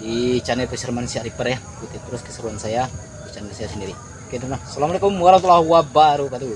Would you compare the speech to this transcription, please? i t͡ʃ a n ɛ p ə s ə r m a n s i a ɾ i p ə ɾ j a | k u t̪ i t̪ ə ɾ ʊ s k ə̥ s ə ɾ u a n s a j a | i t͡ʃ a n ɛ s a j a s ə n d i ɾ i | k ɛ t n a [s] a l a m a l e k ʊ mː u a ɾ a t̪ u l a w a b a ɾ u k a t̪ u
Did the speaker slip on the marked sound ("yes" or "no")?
no